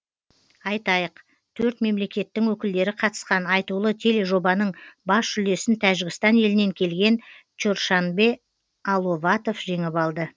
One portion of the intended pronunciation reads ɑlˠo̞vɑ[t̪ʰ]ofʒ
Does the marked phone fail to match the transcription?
yes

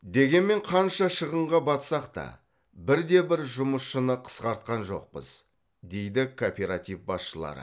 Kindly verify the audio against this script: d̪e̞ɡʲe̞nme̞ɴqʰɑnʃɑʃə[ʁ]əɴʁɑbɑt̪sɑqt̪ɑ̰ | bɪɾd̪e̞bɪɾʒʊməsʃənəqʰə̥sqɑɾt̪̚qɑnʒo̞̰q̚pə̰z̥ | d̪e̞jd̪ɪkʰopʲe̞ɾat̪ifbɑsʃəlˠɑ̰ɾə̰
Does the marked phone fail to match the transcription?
no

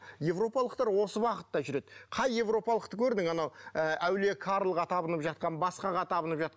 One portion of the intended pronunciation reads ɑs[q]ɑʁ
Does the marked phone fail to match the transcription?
no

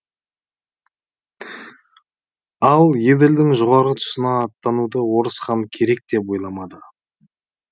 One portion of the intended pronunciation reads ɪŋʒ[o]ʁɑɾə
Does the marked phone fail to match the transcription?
no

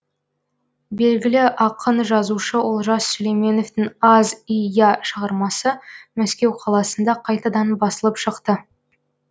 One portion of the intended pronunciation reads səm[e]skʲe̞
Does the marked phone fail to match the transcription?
yes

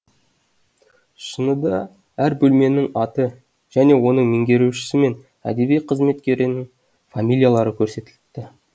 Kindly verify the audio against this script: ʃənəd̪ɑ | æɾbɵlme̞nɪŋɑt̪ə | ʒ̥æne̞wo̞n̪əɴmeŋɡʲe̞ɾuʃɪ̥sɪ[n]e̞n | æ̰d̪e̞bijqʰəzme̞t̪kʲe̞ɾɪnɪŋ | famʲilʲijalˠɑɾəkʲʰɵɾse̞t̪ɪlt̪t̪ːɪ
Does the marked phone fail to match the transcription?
yes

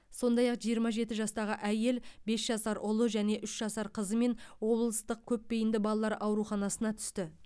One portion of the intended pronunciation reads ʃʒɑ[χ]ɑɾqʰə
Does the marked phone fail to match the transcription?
yes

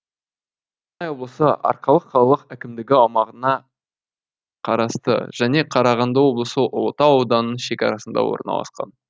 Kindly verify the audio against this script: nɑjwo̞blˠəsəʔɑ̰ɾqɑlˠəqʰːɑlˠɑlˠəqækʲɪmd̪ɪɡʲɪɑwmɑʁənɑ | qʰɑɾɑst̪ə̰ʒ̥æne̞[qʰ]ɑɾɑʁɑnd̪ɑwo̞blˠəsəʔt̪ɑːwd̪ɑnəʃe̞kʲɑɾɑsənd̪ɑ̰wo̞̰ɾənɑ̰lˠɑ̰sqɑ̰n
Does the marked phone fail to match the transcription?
no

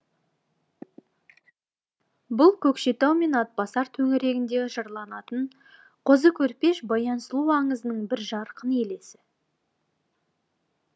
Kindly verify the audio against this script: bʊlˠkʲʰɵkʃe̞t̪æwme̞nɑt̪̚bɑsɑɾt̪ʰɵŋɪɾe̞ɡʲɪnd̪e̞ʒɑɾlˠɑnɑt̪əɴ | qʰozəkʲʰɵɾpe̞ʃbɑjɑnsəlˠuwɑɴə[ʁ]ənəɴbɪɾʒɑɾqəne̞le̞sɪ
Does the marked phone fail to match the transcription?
yes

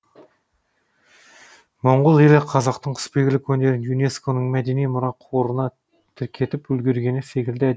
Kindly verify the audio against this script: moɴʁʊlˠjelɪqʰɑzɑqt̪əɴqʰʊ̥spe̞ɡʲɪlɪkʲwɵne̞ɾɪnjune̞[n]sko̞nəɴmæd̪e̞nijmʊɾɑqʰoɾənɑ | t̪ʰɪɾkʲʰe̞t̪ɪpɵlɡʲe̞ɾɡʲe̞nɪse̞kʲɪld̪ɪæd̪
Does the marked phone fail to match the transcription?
yes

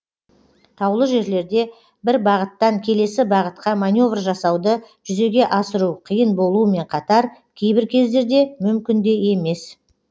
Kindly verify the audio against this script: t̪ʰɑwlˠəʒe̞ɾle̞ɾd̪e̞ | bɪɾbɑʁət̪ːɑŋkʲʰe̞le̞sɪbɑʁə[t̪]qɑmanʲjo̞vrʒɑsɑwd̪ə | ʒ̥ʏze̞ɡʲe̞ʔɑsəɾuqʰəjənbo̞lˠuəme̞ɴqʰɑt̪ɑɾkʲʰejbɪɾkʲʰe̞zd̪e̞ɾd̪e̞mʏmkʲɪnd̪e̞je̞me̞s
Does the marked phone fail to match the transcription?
no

